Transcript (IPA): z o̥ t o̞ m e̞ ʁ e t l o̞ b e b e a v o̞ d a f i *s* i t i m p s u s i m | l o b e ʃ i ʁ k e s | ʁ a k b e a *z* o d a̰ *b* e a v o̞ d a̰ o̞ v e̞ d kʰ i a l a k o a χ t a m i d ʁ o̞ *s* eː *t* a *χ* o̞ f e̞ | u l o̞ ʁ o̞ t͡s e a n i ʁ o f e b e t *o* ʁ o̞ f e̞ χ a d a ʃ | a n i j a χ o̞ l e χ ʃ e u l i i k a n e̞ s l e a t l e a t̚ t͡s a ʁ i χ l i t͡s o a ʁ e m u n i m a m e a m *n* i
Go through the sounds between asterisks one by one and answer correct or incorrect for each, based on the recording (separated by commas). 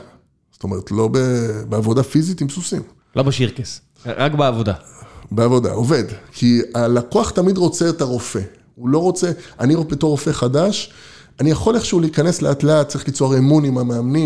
incorrect, incorrect, correct, incorrect, correct, incorrect, correct, correct